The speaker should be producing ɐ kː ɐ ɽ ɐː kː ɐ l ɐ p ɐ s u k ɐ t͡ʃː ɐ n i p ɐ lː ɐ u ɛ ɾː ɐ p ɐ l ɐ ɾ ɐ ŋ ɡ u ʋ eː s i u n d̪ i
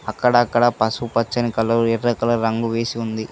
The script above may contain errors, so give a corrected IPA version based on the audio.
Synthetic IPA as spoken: ɐ kː ɐ ɽ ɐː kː ɐ ɽ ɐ p ɐ s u p ɐ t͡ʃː ɐ n i k ɐ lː ɐ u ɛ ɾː ɐ k ɐ l ɐ ɾ ɐ ŋ ɡ u ʋ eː s i u n d̪ i

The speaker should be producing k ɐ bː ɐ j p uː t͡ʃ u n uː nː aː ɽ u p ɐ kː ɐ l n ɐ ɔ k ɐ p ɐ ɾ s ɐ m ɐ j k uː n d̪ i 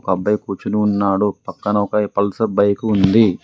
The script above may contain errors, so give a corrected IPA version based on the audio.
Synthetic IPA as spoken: k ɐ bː ɐ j k uː t͡ʃ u n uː nː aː ɽ u p ɐ kː ɐ n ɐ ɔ k ɐ p ɐ l s ɐ b ɐ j k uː n d̪ i

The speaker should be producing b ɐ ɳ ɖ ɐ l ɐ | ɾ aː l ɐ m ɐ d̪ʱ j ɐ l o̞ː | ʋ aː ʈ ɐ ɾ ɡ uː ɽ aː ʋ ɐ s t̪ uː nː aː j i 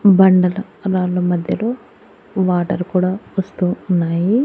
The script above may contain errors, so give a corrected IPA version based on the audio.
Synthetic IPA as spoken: b ɐ ɳ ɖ ɐ l ɐ | ɾ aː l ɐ m ɐ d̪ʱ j ɐ l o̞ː | ʋ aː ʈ ɐ ɾ k uː ɽ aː ʋ ɐ s t̪ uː nː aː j i

